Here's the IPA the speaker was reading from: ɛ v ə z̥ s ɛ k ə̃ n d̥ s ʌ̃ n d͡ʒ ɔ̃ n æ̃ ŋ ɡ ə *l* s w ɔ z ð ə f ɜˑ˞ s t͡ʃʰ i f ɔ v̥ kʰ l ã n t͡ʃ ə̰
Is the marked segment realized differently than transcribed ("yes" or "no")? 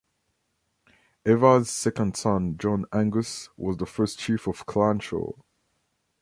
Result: yes